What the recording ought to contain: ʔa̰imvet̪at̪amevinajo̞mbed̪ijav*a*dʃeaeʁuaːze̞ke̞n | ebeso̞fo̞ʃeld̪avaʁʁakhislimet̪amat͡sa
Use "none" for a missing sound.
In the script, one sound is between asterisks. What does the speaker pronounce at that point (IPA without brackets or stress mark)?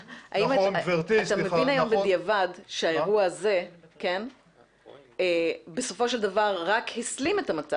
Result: a